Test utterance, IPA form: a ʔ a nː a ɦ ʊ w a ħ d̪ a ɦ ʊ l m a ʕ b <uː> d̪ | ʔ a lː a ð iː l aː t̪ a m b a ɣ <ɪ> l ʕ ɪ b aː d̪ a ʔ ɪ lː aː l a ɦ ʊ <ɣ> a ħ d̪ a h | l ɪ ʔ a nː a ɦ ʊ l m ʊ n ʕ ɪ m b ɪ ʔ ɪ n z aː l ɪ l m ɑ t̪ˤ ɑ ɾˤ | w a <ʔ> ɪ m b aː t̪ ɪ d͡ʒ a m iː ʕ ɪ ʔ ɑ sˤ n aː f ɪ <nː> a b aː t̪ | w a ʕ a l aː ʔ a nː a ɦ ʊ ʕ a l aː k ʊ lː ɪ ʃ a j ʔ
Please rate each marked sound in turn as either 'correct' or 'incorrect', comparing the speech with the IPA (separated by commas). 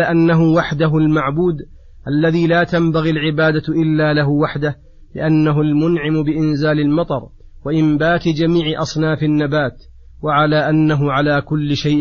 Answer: correct, incorrect, incorrect, correct, correct